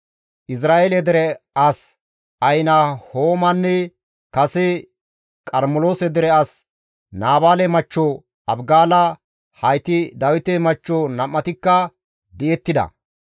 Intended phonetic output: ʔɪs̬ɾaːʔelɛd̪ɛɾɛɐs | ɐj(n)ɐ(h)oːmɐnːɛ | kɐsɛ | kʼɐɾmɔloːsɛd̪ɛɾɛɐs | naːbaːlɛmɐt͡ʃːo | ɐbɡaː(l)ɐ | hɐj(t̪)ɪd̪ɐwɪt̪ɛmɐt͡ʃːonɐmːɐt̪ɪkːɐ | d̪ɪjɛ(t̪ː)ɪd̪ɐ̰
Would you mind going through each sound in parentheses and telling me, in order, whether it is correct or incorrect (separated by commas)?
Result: correct, correct, correct, correct, correct